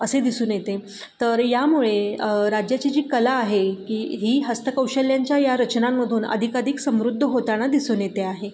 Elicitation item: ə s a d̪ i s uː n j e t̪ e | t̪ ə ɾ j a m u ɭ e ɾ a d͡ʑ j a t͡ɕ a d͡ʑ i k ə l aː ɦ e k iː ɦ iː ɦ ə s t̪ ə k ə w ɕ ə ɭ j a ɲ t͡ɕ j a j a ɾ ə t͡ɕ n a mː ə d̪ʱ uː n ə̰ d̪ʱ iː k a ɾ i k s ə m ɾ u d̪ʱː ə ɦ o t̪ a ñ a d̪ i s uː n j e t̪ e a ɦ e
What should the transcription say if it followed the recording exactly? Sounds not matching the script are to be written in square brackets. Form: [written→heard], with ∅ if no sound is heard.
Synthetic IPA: ə s [a→e] d̪ i s uː n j e t̪ e | t̪ ə ɾ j a m u ɭ e ɾ a d͡ʑ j a t͡ɕ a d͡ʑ [i→iː] k ə l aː ɦ e k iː ɦ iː ɦ ə s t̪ ə k ə w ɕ ə [ɭ→l] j a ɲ t͡ɕ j a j a ɾ ə t͡ɕ n a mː ə d̪ʱ uː n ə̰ d̪ʱ [iː→i] k a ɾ i k s ə m ɾ u d̪ʱː ə ɦ o t̪ a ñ a d̪ i s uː n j e t̪ e a ɦ e

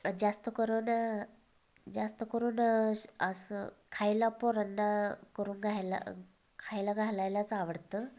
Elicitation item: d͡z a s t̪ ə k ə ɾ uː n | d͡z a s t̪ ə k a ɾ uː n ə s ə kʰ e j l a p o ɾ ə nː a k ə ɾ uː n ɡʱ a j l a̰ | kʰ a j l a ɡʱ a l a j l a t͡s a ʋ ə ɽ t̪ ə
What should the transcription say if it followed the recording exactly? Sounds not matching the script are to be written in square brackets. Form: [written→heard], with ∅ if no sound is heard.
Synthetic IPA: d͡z a s t̪ ə k ə ɾ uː n | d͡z a s t̪ ə k [a→ə] ɾ uː n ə s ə kʰ [e→a] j l a p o ɾ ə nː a k ə ɾ uː n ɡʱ a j l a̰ | kʰ a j l a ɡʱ a l a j l a t͡s a ʋ ə ɽ t̪ ə

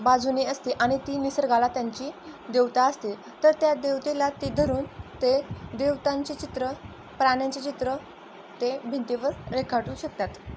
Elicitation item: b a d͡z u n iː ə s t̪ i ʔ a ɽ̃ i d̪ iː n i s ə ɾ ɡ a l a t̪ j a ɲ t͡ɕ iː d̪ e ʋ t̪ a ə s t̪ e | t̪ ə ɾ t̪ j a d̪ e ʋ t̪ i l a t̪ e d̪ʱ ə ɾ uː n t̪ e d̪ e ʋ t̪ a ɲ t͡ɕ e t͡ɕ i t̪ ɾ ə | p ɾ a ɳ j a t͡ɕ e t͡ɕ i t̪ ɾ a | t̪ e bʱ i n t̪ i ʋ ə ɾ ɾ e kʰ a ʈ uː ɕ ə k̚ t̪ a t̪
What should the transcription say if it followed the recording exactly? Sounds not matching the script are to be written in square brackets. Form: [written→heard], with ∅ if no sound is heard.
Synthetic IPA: b a d͡z u n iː ə s t̪ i ʔ a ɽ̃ i [d̪→t̪] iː n i s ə ɾ ɡ a l a t̪ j a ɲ t͡ɕ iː d̪ e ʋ t̪ a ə s t̪ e | t̪ ə ɾ t̪ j a d̪ e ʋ t̪ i l a t̪ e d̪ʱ ə ɾ uː n t̪ e d̪ e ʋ t̪ a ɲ t͡ɕ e t͡ɕ i t̪ ɾ ə | p ɾ a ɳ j a t͡ɕ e t͡ɕ i t̪ ɾ [a→ə] | t̪ e bʱ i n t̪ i ʋ ə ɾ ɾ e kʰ a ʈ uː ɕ ə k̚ t̪ a t̪

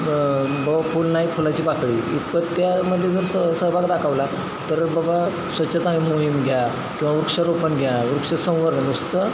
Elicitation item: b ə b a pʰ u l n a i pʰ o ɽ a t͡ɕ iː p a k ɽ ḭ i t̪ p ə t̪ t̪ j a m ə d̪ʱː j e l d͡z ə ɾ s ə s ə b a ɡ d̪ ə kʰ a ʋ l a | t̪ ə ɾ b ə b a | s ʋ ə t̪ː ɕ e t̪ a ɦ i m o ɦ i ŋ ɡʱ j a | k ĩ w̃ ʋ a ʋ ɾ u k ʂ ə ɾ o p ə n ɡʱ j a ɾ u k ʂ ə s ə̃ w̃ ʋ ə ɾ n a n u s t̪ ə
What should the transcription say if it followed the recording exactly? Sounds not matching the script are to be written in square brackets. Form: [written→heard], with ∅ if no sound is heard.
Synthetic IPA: b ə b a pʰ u l n a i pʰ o [ɽ→l] a t͡ɕ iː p a k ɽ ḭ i t̪ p ə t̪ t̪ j a m ə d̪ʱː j e [l→∅] d͡z ə ɾ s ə s ə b a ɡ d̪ [ə→a] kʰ a ʋ l a | t̪ ə ɾ b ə b a | s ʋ ə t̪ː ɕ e t̪ a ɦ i m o ɦ i [ŋ→m] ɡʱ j a | k ĩ w̃ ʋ a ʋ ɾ u k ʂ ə ɾ o p ə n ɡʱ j a ɾ u k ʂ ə s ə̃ w̃ ʋ ə ɾ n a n u s t̪ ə

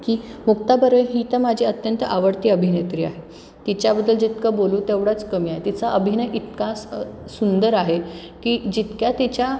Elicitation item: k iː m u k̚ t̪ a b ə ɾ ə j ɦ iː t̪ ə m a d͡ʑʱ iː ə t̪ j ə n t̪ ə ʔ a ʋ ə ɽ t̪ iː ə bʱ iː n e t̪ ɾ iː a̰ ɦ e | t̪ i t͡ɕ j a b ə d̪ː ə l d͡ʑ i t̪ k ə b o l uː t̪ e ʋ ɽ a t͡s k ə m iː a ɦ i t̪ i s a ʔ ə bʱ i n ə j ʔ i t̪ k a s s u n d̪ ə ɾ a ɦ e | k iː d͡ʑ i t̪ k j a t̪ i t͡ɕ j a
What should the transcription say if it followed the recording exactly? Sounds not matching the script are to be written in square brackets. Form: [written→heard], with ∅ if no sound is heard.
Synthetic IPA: k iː m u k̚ t̪ a b ə ɾ ə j ɦ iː t̪ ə m a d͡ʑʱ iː ə t̪ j ə n t̪ ə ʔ a ʋ ə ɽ t̪ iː ə bʱ [iː→i] n e t̪ ɾ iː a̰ ɦ e | t̪ i t͡ɕ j a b ə d̪ː ə l d͡ʑ i t̪ k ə b o l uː t̪ e ʋ ɽ a t͡s k ə m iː a ɦ [i→e] t̪ i [s→t͡s] a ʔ ə bʱ i n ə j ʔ i t̪ k a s s u n d̪ ə ɾ a ɦ e | k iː d͡ʑ i t̪ k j a t̪ i t͡ɕ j a

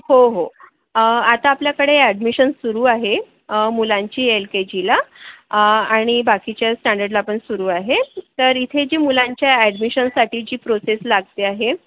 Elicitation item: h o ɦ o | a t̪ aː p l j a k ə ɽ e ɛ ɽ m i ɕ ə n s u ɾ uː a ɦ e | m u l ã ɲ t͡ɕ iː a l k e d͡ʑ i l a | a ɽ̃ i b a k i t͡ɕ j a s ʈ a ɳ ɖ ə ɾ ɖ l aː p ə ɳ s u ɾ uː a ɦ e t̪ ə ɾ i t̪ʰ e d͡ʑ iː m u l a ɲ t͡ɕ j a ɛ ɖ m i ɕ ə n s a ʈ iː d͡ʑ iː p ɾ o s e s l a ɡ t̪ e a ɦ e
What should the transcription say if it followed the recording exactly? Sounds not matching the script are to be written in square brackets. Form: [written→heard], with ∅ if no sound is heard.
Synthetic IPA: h o ɦ o | a t̪ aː p l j a k ə ɽ e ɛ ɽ m i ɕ ə n s u ɾ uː a ɦ e | m u l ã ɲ t͡ɕ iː [a→e] l k e d͡ʑ i l a | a ɽ̃ i b a k i t͡ɕ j a s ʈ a ɳ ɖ ə ɾ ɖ l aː p ə ɳ s u ɾ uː a ɦ e t̪ ə ɾ i t̪ʰ e d͡ʑ iː m u l a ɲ t͡ɕ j a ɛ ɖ m i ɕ ə n s a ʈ iː d͡ʑ iː p ɾ o s e s l a ɡ t̪ e a ɦ e

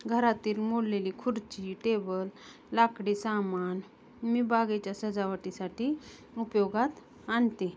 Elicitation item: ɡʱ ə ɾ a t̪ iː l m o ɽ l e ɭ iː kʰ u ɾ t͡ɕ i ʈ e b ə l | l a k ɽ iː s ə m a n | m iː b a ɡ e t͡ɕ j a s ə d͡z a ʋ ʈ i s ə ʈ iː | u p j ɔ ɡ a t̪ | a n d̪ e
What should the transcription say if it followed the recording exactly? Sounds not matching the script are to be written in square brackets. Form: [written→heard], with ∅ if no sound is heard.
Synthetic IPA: ɡʱ ə ɾ a t̪ iː l m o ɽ l e [ɭ→l] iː kʰ u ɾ t͡ɕ i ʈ e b ə l | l a k ɽ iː s [ə→a] m a n | m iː b a ɡ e t͡ɕ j a s ə d͡z a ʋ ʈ i s [ə→a] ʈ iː | u p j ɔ ɡ a t̪ | a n [d̪→t̪] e

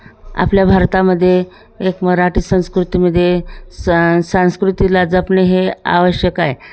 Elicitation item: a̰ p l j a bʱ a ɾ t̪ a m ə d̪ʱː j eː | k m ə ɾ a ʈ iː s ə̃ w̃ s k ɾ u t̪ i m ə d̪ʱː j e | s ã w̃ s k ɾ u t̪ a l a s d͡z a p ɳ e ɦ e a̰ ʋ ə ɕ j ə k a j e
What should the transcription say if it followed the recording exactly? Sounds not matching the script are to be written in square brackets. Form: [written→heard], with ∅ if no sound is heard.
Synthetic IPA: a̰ p l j a bʱ a ɾ t̪ a m ə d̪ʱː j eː | k m ə ɾ a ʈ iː s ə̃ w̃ s k ɾ u t̪ i m ə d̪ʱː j e | s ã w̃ s k ɾ u t̪ [a→i] l a [s→∅] d͡z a p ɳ e ɦ e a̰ ʋ ə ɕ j ə k a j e

